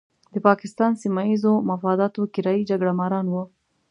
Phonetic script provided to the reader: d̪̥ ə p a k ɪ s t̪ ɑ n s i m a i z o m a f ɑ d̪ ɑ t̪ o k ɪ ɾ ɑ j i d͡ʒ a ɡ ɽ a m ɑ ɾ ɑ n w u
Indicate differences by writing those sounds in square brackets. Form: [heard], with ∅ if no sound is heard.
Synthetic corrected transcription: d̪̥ ə p [ɑ] k ɪ s t̪ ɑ n s i m a i z o m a f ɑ d̪ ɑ t̪ o k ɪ ɾ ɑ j i d͡ʒ a ɡ ɽ a m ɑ ɾ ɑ n w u